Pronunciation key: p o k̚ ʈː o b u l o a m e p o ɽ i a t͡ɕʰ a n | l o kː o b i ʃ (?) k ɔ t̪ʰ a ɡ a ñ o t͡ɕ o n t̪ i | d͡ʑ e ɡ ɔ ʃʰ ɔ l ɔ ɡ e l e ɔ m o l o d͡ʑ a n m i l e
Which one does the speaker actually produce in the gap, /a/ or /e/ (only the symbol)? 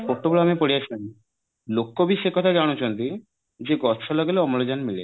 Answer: e